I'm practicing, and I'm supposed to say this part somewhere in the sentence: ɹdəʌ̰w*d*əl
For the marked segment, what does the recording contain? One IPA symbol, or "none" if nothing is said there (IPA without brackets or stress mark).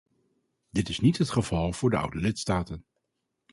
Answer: d